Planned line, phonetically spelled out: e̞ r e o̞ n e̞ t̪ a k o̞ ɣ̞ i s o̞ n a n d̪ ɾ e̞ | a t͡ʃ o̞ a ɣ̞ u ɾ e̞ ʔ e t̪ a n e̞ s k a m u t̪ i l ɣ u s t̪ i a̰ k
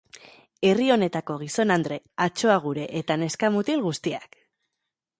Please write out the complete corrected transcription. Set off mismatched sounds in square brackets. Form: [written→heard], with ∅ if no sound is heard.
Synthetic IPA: e̞ r [e→i] o̞ n e̞ t̪ a k o̞ ɣ̞ i s o̞ n a n d̪ ɾ e̞ | a t͡ʃ o̞ a ɣ̞ u ɾ e̞ ʔ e t̪ a n e̞ s k a m u t̪ i l ɣ u s t̪ i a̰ k